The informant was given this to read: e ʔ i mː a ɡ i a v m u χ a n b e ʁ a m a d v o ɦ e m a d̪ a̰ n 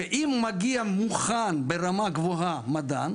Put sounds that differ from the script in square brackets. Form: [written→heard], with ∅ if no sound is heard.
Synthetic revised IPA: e ʔ i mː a ɡ i a [v→∅] m u χ a n b e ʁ a m a [d→ɡ] v o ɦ [e→a] m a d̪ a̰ n